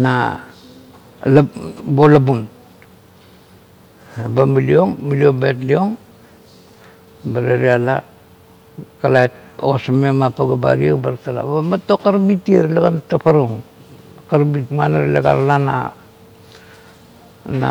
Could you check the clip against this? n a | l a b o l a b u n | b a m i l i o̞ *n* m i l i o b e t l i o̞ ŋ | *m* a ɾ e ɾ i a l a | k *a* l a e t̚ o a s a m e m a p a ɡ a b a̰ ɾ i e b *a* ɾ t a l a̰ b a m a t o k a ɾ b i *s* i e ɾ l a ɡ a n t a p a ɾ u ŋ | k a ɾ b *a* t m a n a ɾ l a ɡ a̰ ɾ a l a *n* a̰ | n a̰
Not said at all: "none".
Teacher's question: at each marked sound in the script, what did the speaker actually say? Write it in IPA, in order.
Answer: ŋ, b, a, a, t, i, n

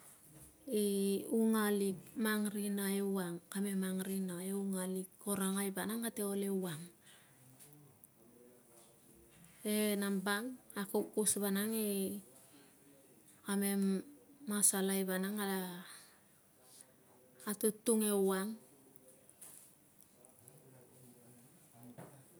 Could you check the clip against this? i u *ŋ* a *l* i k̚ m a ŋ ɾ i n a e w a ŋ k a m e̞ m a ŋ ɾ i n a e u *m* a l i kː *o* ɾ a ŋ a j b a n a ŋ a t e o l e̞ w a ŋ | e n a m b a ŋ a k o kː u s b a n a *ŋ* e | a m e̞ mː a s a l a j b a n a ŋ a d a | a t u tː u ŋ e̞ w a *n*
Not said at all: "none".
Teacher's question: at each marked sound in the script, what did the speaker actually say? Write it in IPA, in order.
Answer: ŋ, l, ŋ, o, ŋ, ŋ

